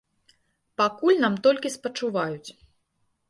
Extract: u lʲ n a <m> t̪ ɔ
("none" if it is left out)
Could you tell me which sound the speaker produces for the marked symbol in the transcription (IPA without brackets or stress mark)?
m